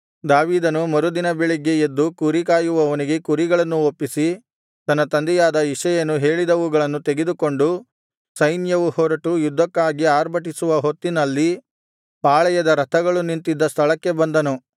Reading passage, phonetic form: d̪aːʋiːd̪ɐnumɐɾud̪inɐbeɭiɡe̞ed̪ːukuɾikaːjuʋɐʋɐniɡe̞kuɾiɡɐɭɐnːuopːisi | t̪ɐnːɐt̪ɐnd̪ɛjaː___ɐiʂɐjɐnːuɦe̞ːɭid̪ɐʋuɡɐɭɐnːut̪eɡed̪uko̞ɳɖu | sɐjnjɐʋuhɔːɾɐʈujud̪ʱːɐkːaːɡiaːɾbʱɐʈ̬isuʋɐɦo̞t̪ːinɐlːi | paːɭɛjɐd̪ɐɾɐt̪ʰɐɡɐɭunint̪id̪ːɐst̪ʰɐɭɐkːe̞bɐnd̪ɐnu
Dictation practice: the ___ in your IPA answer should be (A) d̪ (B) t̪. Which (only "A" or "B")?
A